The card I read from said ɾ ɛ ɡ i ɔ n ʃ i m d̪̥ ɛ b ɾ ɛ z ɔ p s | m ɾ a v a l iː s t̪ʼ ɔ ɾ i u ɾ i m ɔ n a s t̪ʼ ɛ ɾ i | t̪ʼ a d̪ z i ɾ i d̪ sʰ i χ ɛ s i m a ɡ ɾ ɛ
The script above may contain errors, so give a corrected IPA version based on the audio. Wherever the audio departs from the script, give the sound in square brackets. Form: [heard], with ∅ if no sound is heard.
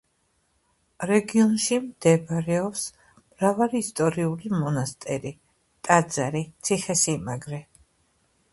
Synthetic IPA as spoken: ɾ ɛ ɡ i ɔ n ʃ i m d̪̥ ɛ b ɾ ɛ [∅] ɔ p s | m ɾ a v a l iː s t̪ʼ ɔ ɾ i u [l] i m ɔ n a s t̪ʼ ɛ ɾ i | t̪ʼ a d̪ z [a] ɾ i [t̪] sʰ i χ ɛ s i m a ɡ ɾ ɛ

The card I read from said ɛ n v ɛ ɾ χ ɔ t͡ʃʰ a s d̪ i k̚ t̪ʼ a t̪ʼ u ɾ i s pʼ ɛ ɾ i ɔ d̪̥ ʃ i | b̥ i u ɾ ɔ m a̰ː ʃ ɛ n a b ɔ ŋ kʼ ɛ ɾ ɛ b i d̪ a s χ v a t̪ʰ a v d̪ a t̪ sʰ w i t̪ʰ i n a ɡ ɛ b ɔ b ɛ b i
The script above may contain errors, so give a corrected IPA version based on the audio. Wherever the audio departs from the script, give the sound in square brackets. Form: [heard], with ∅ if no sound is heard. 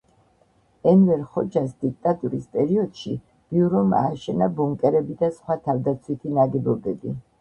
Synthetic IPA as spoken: ɛ n v ɛ ɾ χ ɔ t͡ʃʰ a s d̪ i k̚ t̪ʼ a t̪ʼ u ɾ i s pʼ ɛ ɾ i ɔ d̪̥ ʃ i | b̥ i u ɾ ɔ m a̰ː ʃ ɛ n a b ɔ ŋ kʼ ɛ ɾ ɛ b i d̪ a s χ [w] a t̪ʰ a v d̪ a t̪ sʰ w i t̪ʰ i n a ɡ ɛ b ɔ b ɛ b i

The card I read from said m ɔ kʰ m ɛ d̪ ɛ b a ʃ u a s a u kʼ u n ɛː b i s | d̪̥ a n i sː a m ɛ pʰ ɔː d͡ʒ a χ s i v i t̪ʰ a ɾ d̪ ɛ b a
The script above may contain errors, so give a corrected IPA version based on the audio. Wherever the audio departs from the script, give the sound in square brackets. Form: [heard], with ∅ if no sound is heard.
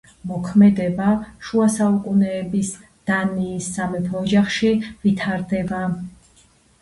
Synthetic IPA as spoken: m ɔ kʰ m ɛ d̪ ɛ b a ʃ u a s a u kʼ u n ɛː b i s | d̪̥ a n [iː] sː a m ɛ pʰ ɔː d͡ʒ a χ [ʃ] i v i t̪ʰ a ɾ d̪ ɛ b a

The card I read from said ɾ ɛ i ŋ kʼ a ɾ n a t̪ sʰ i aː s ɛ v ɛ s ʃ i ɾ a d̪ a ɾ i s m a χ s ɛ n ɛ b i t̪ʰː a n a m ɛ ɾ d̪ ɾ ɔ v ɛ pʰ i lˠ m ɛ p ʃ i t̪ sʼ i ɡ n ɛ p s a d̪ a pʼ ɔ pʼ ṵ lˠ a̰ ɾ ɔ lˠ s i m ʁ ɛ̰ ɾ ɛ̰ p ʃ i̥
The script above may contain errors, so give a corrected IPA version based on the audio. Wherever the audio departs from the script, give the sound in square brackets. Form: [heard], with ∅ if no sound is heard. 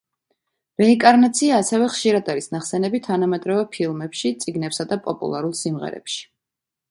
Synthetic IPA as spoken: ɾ ɛ i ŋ kʼ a ɾ n a t̪ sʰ i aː s ɛ v ɛ [χ] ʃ i ɾ a d̪ a ɾ i s [n] a χ s ɛ n ɛ b i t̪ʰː a n a m ɛ [∅] d̪ ɾ ɔ v ɛ pʰ i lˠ m ɛ p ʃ i t̪ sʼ i ɡ n ɛ p s a d̪ a pʼ ɔ pʼ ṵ lˠ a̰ ɾ [u] lˠ s i m ʁ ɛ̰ ɾ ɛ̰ p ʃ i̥

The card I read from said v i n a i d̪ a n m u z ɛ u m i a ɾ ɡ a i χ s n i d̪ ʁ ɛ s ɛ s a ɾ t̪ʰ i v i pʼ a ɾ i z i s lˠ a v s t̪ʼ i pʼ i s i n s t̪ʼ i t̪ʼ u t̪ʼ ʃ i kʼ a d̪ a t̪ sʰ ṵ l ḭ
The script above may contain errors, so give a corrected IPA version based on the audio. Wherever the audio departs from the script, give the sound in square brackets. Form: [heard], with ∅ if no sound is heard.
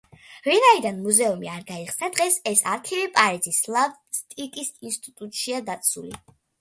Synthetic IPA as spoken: v i n a i d̪ a n m u z ɛ u m i a ɾ ɡ a i χ s n [a] d̪ ʁ ɛ s ɛ s a ɾ t̪ʰ i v i pʼ a ɾ i z i s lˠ a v s t̪ʼ i [kʼ] i s i n s t̪ʼ i t̪ʼ u t̪ʼ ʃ i [∅] a d̪ a t̪ sʰ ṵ l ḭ

